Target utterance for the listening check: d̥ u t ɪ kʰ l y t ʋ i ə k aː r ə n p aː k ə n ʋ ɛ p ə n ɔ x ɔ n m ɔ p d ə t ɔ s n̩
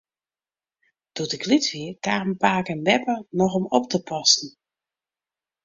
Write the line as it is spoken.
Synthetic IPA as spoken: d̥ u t ɪ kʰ l i t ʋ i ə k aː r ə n p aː k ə n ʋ ɛ p ə n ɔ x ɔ m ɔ p t ə p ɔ s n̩

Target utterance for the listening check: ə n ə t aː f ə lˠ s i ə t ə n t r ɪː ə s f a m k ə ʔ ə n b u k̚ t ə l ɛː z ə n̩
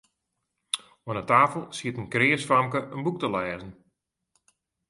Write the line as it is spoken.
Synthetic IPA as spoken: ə n ə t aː f ə lˠ s i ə t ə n k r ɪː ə s f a m k ə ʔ ə n b u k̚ t ə l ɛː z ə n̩

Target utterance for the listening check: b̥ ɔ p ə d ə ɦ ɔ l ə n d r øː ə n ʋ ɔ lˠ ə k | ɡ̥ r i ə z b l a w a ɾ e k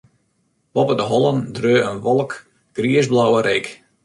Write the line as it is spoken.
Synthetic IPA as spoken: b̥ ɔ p ə d ə ɦ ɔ l ə n d r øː ə n ʋ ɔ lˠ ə k | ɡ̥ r i ə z b l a w ə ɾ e k

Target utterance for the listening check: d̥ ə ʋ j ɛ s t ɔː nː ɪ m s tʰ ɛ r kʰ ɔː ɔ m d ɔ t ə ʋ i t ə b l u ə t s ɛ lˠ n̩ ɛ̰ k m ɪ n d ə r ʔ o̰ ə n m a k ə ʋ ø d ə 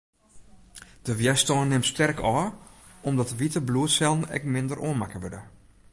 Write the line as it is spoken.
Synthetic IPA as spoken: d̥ ə ʋ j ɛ s t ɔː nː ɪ m s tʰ ɛ r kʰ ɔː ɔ m d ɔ t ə ʋ i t ə b l u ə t s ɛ lˠ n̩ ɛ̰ k m ɪ n d ə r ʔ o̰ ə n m a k ə ʋ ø d ə

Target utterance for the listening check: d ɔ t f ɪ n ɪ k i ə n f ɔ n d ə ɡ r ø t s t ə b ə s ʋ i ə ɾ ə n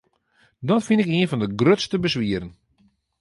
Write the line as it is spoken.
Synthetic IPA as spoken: d ɔ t f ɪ n ɪ k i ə n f ɔ n d ə ɡ r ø t s t ə b ə s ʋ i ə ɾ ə n

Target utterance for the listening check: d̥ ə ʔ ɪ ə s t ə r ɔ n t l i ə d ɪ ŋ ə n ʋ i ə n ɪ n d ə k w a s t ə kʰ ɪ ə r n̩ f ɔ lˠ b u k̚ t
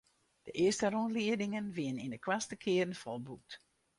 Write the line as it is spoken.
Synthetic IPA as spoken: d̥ ə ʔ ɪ ə s t ə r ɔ n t l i ə d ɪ ŋ ə n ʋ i ə n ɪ n d ə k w a s t ə kʰ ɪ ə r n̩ f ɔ lˠ b u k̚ t

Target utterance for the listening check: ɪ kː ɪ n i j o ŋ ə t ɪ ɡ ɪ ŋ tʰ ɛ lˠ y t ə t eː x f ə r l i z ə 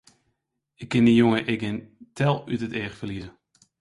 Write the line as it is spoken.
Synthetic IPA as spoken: ɪ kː ɪ n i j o ŋ ə ʔ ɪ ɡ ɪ n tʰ ɛ lˠ y t ə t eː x f ə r l i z ə

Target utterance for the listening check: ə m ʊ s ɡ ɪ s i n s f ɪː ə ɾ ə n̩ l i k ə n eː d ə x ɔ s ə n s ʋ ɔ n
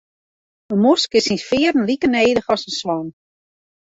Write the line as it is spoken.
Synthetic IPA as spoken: ə m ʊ s k ɪ s i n s f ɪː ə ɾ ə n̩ l i k ə n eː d ə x ɔ s ə n s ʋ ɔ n

